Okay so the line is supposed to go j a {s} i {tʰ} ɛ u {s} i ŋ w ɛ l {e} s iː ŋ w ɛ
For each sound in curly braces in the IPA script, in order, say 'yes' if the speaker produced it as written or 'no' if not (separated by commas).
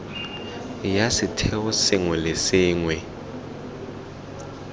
yes, yes, yes, yes